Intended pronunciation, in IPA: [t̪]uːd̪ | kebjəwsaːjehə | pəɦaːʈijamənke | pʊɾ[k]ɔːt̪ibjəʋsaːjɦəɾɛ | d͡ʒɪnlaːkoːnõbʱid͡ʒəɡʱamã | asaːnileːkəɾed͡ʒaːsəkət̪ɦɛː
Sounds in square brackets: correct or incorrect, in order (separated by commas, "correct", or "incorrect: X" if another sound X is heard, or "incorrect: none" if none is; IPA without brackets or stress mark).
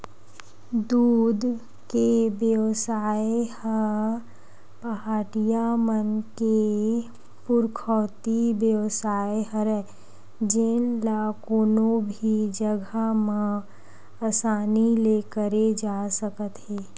incorrect: d̪, incorrect: kʰ